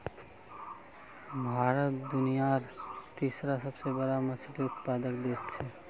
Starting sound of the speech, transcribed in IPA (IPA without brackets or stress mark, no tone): bʱ